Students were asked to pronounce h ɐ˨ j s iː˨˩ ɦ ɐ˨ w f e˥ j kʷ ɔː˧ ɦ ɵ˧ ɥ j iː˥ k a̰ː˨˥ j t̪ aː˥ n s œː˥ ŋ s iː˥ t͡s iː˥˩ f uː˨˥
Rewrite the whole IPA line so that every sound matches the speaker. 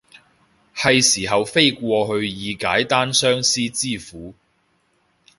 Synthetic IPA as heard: h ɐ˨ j s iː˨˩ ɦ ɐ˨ w f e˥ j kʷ ɔː˧ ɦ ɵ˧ ɥ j iː˨˧ k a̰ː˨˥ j t̪ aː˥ n s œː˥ ŋ s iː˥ t͡s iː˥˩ f uː˨˥